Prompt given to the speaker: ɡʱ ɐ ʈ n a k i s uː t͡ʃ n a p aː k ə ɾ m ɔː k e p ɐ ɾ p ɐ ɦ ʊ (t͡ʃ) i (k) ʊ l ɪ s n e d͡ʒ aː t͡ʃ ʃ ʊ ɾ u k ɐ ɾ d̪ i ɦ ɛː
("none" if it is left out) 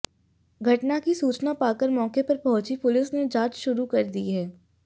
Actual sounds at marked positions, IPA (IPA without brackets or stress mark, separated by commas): t͡ʃ, p